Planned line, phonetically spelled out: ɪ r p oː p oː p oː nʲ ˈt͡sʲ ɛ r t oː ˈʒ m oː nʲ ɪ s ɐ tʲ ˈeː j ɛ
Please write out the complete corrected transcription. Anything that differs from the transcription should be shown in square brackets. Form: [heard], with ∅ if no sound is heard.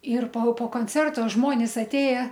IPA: ɪ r p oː p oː [k] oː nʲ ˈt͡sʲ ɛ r t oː ˈʒ m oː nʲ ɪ s ɐ tʲ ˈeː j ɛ